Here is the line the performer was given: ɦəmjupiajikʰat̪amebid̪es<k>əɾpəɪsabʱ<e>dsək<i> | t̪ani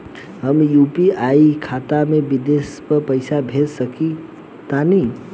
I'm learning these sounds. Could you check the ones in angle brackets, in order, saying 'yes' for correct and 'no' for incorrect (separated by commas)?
no, yes, yes